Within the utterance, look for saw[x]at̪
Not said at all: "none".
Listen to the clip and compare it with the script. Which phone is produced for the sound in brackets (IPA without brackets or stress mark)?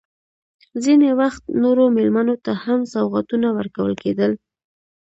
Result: ɣ